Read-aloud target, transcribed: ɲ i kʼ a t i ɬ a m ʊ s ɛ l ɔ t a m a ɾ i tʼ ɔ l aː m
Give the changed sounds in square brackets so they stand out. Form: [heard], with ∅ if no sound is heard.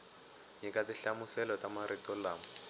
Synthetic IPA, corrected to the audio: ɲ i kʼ a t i ɬ a m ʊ s ɛ l ɔ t a m a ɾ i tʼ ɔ l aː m